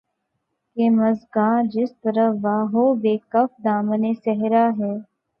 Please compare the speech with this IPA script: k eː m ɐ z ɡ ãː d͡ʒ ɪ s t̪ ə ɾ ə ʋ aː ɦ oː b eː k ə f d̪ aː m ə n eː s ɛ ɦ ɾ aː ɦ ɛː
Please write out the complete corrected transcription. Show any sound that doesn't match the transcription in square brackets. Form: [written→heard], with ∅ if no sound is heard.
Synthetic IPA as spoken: k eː m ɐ z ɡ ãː d͡ʒ ɪ s t̪ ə ɾ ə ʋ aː ɦ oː b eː k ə f d̪ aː m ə n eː s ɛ ɦ ɾ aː ɦ ɛː